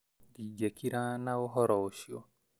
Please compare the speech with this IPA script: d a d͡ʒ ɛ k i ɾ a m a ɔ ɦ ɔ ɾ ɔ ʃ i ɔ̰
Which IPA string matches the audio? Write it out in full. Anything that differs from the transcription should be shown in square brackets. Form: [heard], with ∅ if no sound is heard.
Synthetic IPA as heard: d [i] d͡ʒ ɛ k i ɾ a [n] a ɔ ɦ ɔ ɾ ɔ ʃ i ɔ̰

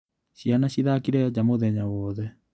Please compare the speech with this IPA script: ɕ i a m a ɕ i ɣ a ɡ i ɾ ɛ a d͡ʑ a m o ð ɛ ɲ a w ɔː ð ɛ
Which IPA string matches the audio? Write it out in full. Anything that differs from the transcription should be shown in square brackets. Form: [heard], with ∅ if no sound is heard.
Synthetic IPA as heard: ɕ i a [n] a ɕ i [ð] a [k] i ɾ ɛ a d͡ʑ a m o ð ɛ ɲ a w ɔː ð ɛ

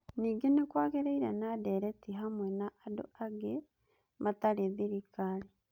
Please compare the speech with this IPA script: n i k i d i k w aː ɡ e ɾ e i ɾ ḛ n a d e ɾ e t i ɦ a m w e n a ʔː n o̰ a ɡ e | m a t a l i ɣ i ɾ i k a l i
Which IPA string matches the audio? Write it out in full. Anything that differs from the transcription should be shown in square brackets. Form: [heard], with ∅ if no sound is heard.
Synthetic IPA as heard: n i [ɡ] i [n] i k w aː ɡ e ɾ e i ɾ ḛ n a d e ɾ e t i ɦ a m w e n a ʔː [d] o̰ a ɡ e | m a t a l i [ð] i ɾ i k a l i

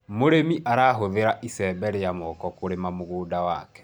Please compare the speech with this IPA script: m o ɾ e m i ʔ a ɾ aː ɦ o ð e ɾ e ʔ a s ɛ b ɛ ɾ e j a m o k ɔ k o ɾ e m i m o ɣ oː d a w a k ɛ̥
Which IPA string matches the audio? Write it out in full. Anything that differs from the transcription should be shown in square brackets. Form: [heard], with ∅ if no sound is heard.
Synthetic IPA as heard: m o ɾ e m i ʔ a ɾ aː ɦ o ð e ɾ [a] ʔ [i] s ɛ b ɛ ɾ e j a m [ɔ] k ɔ k o ɾ e m [a] m o ɣ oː d a w a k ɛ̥

